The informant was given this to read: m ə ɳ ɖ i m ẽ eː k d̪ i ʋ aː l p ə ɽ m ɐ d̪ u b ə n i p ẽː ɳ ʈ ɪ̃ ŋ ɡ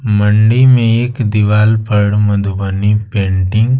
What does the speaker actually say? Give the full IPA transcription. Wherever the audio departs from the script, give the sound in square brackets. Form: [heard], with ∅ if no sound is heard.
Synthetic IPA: m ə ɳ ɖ i m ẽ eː k d̪ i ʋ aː l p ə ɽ m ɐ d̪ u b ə n i p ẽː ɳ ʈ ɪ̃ ŋ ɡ

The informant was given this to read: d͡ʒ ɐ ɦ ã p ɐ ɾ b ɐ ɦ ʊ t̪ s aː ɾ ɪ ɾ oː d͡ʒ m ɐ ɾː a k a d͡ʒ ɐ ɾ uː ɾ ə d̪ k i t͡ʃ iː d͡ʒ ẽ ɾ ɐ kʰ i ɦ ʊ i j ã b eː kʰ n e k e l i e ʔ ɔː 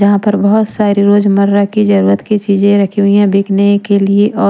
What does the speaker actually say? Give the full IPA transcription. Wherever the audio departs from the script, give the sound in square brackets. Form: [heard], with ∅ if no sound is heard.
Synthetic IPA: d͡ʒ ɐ ɦ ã p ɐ ɾ b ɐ ɦ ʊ t̪ s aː ɾ [i] ɾ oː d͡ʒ m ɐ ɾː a k [i] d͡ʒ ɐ ɾ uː ɾ ə [t̪] k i t͡ʃ iː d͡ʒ ẽ ɾ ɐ kʰ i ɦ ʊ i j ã b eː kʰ n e k e l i e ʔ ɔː

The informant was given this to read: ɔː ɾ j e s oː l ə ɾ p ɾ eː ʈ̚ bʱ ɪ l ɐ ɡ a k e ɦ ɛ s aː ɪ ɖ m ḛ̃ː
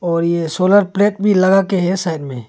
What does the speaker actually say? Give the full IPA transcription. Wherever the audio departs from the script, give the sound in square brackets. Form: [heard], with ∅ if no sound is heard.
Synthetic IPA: ɔː ɾ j e s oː l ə ɾ p [l] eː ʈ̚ bʱ [i] l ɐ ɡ a k e ɦ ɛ s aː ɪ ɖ m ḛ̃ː

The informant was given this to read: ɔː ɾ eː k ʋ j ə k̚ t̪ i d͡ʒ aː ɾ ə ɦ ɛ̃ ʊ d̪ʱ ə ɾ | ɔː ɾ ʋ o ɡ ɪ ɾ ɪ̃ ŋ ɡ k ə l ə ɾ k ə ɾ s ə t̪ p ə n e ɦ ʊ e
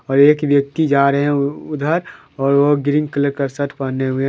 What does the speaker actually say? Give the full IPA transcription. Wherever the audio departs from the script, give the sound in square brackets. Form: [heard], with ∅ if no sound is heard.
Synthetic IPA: ɔː ɾ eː k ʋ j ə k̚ t̪ i d͡ʒ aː ɾ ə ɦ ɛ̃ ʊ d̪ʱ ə ɾ | ɔː ɾ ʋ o ɡ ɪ ɾ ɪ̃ ŋ ɡ k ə l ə ɾ k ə ɾ s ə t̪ p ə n e ɦ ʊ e

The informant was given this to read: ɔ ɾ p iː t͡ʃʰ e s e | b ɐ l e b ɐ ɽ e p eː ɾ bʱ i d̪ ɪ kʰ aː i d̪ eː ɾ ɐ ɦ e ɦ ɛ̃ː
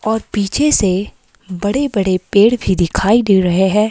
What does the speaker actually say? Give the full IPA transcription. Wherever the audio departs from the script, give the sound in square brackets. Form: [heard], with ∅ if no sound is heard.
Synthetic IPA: [ɔː] ɾ p iː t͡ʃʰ e s e | b ɐ [ɽ] e b ɐ ɽ e p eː [ɽ] bʱ i d̪ ɪ kʰ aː i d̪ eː ɾ ɐ ɦ e ɦ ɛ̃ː

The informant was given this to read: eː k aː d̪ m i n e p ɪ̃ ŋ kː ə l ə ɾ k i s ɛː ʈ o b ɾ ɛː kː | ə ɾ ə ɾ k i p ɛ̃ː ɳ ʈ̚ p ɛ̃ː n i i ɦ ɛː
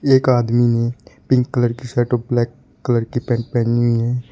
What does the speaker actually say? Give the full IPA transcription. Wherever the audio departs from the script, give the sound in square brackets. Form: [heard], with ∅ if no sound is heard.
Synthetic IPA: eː k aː d̪ m i n e p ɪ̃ ŋ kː ə l ə ɾ k i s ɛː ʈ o b [l] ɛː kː | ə [l] ə ɾ k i p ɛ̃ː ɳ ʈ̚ p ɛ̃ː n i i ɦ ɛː

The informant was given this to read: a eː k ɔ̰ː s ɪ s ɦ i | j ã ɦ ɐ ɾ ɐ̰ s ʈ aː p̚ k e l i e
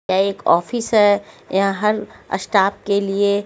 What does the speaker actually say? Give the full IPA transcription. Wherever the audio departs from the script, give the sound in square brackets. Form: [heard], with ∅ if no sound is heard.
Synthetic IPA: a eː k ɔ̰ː [f] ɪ s ɦ [ɛ] | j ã ɦ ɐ ɾ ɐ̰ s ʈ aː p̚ k e l i e

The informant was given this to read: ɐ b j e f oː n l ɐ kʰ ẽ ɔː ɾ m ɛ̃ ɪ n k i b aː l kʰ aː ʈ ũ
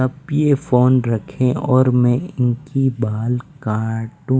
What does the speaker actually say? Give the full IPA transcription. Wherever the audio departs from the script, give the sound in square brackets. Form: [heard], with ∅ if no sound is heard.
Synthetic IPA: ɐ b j e f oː n [ɾ] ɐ kʰ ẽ ɔː ɾ m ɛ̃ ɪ n k i b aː l [k] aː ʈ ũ

